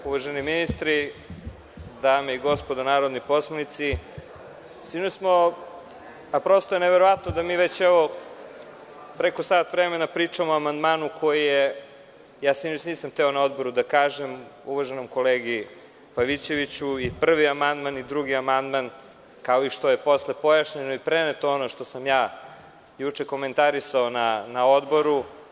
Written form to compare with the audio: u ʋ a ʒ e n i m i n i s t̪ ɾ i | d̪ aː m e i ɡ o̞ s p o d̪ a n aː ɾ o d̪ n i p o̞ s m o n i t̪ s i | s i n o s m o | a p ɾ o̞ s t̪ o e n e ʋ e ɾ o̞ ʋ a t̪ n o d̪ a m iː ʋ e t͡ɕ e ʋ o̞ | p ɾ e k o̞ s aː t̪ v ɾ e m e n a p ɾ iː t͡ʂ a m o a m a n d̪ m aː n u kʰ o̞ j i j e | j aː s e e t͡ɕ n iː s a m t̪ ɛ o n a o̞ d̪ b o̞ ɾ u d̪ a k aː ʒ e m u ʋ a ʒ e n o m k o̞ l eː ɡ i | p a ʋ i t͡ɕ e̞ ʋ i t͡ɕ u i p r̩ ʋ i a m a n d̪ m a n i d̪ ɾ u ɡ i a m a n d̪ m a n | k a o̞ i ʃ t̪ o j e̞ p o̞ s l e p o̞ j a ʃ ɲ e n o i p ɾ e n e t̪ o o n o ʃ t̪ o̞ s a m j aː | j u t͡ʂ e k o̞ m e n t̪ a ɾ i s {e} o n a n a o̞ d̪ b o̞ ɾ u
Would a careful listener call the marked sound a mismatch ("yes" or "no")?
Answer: yes